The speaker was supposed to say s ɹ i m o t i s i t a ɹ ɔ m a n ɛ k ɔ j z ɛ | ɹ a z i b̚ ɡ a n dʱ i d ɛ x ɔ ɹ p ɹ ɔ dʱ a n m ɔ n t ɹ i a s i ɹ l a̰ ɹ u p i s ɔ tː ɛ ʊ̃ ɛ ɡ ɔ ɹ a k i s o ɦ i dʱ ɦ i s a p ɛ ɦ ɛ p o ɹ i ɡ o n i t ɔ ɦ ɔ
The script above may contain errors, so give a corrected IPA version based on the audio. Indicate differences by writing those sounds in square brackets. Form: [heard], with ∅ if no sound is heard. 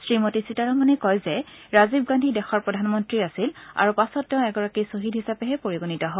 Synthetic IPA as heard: s ɹ i m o t i s i t a ɹ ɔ m a n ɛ k ɔ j z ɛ | ɹ a z i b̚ ɡ a n dʱ i d ɛ x ɔ ɹ p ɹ ɔ dʱ a n m ɔ n t ɹ i a s i [∅] l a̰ ɹ u p [a] s ɔ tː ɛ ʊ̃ ɛ ɡ ɔ ɹ a k i s o ɦ i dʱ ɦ i s a p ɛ ɦ ɛ p o ɹ i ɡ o n i t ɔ ɦ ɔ